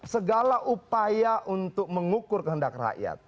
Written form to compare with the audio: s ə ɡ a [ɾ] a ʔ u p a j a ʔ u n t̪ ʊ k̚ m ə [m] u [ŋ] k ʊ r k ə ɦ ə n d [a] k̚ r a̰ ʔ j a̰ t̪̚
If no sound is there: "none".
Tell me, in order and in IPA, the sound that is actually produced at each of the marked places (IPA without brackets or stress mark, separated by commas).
l, ŋ, none, a